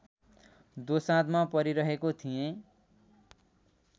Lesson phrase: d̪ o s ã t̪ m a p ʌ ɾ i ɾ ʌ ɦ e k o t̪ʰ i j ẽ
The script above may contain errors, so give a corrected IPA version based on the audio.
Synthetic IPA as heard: d̪ o s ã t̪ m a p ʌ ɾ i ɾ ʌ ɦ e k o t̪ʰ i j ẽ